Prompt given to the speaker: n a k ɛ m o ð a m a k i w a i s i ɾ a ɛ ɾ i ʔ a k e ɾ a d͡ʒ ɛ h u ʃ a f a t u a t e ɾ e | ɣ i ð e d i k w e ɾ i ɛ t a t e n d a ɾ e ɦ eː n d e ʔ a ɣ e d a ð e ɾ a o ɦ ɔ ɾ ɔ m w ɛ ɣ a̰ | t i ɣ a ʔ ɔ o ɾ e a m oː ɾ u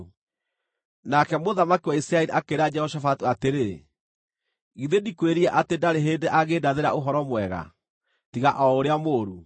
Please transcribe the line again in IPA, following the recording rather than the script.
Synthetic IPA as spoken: n a k ɛ m o ð a m a k i w a i s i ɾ a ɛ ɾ i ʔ a k e ɾ a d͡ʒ ɛ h ɔ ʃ a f a t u a t e ɾ e | ɣ i ð e d i k w e ɾ i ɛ ʔ a t e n d a ɾ e ɦ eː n d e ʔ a ɣ e d a ð e ɾ a o ɦ ɔ ɾ ɔ m w ɛ ɣ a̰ | t i ɣ a ʔ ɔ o ɾ e a m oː ɾ u